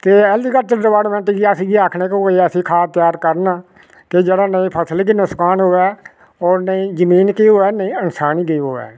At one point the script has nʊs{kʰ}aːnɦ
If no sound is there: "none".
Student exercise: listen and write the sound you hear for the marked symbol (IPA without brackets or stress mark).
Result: k